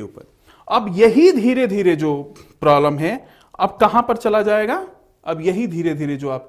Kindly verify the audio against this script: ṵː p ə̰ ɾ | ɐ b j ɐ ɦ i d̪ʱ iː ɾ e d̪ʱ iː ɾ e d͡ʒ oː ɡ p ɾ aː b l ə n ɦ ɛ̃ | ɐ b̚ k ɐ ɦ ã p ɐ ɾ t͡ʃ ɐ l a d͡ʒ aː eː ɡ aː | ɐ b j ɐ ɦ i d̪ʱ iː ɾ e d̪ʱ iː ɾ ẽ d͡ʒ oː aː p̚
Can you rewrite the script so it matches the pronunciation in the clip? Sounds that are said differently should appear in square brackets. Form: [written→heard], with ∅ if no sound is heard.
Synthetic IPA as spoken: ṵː p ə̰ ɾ | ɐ b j ɐ ɦ i d̪ʱ iː ɾ e d̪ʱ iː ɾ e d͡ʒ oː [ɡ→∅] p ɾ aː b l ə [n→m] ɦ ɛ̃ | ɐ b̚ k ɐ ɦ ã p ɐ ɾ t͡ʃ ɐ l a d͡ʒ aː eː ɡ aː | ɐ b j ɐ ɦ i d̪ʱ iː ɾ e d̪ʱ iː ɾ [ẽ→e] d͡ʒ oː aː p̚